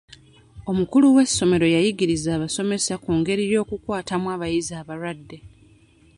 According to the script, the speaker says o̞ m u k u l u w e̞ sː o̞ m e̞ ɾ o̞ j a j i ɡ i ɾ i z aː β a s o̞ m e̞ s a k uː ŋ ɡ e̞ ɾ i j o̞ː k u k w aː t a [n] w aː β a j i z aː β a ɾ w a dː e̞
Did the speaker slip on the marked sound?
yes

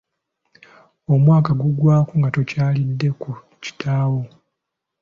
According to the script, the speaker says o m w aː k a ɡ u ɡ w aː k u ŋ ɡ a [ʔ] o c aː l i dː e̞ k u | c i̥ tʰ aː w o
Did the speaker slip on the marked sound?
yes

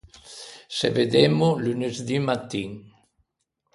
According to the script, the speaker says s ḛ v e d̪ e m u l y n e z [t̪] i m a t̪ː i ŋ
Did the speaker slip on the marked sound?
yes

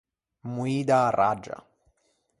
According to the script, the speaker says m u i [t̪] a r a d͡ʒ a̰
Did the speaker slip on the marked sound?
yes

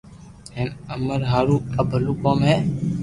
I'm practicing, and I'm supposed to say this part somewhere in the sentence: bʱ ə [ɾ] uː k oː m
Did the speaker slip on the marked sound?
yes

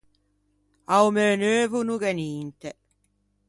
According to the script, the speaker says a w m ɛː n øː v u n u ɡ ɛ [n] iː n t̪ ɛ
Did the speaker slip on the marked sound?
no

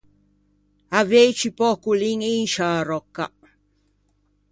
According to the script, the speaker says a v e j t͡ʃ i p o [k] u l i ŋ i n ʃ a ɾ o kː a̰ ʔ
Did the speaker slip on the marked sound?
no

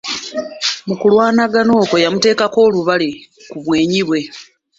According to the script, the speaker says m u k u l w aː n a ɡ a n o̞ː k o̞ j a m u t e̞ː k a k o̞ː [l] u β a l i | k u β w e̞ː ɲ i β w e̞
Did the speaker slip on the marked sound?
no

